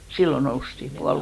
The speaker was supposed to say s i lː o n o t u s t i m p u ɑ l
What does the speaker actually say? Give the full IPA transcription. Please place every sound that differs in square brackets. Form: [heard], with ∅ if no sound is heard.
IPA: s i lː o n o [∅] u s t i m p u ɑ l